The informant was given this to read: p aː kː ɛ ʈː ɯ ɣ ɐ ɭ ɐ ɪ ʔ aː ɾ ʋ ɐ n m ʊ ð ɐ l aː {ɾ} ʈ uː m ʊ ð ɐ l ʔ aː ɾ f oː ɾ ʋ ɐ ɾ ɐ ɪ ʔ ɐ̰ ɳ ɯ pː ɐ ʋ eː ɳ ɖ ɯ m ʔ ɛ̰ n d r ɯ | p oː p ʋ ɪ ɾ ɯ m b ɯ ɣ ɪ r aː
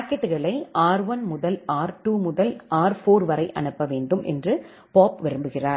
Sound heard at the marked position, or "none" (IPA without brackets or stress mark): ɾ